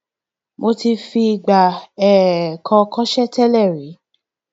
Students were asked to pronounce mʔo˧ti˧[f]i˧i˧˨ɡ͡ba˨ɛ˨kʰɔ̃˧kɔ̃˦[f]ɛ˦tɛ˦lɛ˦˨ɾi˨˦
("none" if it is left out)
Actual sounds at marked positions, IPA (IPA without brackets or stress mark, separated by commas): f, ʃ